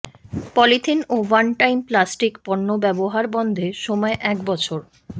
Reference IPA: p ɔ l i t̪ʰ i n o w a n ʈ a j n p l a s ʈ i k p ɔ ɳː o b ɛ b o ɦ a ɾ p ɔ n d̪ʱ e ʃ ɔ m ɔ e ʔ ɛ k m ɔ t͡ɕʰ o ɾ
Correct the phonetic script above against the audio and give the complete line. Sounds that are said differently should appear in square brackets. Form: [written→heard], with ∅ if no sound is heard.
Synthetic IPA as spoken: p ɔ l i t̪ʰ i n o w a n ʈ a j [n→m] p l a s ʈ i k p ɔ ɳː o b ɛ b o ɦ a ɾ [p→b] ɔ n d̪ʱ e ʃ ɔ m ɔ e ʔ ɛ k [m→b] ɔ t͡ɕʰ o ɾ